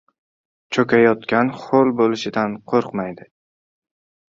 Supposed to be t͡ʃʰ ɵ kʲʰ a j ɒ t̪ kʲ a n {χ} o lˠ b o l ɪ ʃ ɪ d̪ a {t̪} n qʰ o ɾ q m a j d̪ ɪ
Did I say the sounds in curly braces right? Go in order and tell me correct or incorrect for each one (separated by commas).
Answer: correct, incorrect